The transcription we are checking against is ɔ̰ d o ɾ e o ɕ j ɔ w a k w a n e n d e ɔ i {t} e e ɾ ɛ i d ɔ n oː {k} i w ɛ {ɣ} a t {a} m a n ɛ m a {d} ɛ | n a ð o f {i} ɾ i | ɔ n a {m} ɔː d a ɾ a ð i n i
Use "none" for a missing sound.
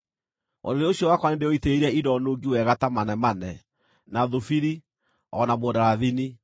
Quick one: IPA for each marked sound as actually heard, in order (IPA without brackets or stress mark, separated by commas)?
t, ɡ, ɣ, a, n, i, m